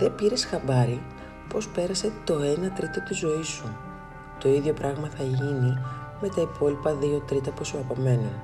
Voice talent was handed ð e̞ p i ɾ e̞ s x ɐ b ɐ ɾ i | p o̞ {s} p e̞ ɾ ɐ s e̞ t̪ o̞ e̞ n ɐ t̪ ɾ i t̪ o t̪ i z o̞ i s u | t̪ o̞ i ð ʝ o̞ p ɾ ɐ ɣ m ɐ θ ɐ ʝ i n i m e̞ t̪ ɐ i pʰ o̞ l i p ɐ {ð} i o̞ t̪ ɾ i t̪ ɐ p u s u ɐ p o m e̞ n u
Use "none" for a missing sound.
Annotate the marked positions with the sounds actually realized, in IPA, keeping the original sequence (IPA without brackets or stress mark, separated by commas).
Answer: s, ð